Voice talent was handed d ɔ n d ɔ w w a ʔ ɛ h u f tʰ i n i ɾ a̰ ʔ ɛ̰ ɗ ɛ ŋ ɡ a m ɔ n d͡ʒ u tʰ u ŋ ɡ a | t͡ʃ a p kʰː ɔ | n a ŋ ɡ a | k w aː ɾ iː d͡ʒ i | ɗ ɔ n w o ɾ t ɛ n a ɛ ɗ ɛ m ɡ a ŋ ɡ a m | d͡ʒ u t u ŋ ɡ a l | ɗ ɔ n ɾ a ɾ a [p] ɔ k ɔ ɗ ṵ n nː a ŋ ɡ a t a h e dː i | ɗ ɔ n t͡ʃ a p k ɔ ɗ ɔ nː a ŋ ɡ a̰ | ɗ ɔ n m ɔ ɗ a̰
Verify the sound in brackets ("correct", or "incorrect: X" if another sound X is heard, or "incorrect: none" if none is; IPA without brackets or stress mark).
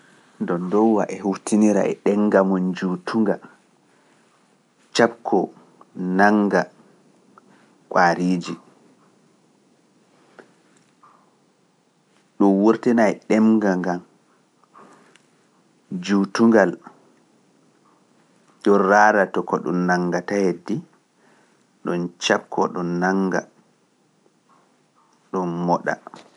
incorrect: t